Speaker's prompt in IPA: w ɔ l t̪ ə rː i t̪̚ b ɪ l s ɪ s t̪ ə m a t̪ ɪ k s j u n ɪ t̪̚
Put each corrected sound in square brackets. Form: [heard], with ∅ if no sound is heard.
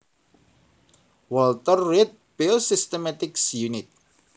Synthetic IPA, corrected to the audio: w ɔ l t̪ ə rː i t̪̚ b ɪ l s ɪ s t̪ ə m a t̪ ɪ k s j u n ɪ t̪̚